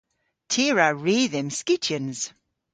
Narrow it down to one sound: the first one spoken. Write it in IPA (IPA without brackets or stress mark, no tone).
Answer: tʰ